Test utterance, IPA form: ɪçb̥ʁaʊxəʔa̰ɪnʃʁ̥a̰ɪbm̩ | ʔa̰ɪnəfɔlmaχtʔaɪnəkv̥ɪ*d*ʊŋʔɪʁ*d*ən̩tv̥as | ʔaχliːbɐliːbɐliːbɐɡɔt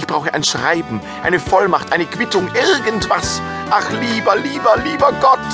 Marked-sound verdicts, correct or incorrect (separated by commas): incorrect, incorrect